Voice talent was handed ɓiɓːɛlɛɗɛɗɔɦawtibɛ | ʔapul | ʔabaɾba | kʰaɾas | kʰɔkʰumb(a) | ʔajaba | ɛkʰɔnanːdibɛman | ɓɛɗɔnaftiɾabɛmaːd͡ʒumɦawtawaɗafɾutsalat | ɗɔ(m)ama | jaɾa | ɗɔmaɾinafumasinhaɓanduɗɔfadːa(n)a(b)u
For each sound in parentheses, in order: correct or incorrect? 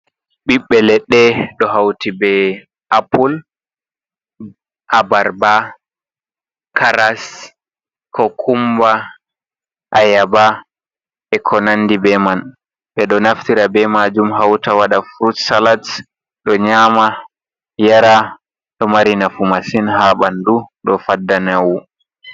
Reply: correct, incorrect, correct, incorrect

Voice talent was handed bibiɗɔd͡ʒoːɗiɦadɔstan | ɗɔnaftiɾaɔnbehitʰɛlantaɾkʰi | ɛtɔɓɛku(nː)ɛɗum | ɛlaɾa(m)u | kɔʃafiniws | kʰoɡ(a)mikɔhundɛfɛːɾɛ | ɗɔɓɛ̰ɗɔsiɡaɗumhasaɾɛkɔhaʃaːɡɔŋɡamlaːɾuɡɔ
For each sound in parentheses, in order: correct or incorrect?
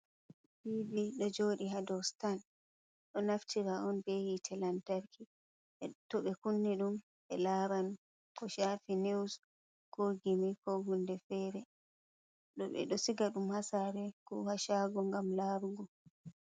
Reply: correct, incorrect, incorrect

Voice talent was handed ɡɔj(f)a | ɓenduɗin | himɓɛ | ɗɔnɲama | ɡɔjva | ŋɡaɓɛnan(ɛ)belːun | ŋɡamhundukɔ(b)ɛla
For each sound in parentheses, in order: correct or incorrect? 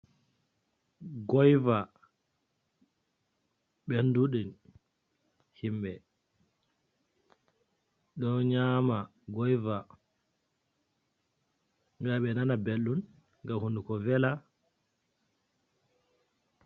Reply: incorrect, incorrect, incorrect

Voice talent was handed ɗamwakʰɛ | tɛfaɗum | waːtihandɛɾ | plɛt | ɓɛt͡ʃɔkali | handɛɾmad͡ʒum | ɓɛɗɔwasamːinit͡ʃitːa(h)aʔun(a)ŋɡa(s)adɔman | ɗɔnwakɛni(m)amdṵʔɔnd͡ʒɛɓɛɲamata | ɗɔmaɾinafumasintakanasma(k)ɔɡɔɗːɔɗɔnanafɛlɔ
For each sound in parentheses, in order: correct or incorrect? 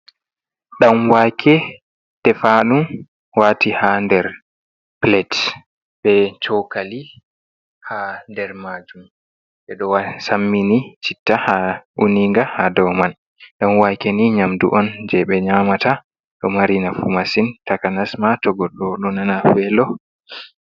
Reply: correct, incorrect, incorrect, incorrect, incorrect

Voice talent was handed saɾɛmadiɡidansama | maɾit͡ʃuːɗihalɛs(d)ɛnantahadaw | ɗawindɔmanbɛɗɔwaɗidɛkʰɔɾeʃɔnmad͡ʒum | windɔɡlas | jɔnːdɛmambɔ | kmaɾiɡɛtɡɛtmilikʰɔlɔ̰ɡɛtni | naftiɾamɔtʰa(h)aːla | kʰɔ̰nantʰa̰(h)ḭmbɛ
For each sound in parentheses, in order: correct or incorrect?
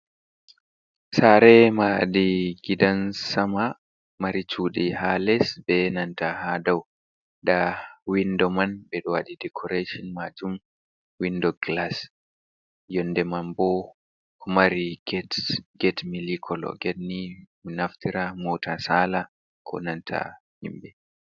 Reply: incorrect, incorrect, correct

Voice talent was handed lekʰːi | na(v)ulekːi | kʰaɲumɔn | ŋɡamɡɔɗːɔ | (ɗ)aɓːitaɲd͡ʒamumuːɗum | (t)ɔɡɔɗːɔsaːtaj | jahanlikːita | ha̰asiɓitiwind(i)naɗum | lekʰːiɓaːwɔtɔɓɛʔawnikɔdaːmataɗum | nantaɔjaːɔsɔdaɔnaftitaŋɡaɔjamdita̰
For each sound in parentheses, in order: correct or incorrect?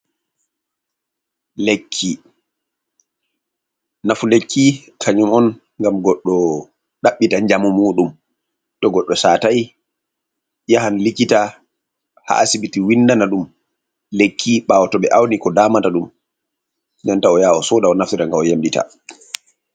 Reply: incorrect, correct, correct, incorrect

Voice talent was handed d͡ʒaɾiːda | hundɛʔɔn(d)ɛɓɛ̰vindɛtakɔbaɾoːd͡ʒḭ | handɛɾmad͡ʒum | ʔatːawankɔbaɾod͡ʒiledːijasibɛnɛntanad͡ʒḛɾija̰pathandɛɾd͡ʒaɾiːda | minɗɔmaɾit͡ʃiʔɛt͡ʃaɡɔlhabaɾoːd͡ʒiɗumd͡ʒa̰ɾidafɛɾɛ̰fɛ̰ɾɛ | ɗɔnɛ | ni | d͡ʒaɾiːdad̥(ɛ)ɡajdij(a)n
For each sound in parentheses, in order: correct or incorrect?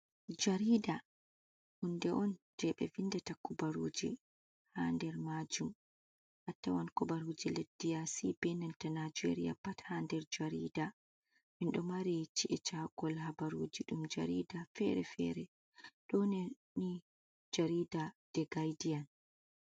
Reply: incorrect, correct, correct

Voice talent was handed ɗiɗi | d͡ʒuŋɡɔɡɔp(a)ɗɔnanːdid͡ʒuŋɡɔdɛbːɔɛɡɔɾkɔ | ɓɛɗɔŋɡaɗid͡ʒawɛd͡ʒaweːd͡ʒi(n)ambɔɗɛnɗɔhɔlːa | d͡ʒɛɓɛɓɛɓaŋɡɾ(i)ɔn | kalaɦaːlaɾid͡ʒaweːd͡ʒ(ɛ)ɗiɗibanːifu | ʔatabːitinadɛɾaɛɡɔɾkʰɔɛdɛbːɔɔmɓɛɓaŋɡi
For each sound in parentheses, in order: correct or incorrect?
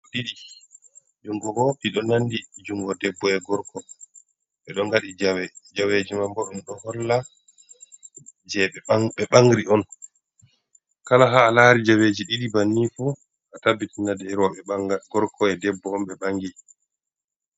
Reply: incorrect, incorrect, correct, incorrect

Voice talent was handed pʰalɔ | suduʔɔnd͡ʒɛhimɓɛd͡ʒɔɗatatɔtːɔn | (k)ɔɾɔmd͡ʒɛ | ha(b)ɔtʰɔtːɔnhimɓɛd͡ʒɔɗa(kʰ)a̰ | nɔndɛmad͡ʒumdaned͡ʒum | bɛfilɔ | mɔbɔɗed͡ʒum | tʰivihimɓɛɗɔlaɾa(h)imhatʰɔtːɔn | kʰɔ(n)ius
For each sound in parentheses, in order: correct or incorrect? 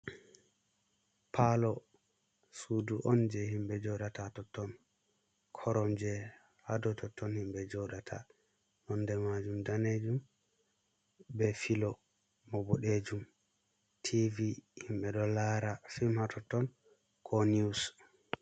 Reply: incorrect, incorrect, incorrect, incorrect, correct

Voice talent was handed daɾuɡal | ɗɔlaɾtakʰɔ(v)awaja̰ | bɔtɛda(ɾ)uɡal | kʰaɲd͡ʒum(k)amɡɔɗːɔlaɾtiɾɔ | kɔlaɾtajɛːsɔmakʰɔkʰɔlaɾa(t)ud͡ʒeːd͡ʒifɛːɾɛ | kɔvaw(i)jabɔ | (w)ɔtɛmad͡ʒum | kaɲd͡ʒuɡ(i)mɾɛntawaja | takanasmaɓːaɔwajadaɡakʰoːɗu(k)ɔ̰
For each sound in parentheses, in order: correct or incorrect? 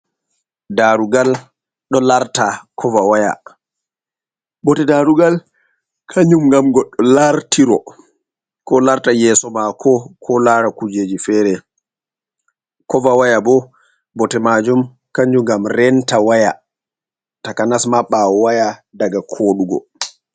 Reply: correct, correct, incorrect, incorrect, incorrect, incorrect, incorrect, incorrect

